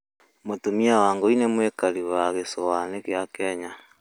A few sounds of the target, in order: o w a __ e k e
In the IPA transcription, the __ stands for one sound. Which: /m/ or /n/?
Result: n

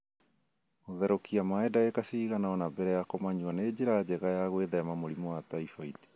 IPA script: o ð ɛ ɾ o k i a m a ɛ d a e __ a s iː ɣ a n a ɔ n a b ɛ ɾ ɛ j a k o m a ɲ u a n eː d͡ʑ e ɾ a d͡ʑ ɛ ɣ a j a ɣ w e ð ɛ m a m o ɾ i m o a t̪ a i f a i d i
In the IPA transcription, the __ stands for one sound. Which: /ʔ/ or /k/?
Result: k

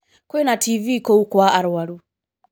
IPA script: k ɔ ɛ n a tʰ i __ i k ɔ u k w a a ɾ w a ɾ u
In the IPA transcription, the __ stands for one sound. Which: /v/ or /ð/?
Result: v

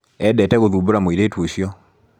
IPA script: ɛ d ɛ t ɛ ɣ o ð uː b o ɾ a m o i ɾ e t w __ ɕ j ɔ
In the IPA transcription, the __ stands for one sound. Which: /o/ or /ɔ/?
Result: o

